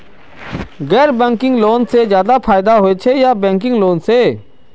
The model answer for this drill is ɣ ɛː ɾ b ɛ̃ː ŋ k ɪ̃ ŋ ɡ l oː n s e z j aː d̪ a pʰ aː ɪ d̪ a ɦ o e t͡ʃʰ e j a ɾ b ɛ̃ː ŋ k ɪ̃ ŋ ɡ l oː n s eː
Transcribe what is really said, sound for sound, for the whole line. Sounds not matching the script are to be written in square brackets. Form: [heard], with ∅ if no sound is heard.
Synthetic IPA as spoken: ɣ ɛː ɾ b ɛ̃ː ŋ k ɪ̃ ŋ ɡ l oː n s e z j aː d̪ a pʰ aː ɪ d̪ a ɦ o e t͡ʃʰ e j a [∅] b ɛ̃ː ŋ k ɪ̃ ŋ ɡ l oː n s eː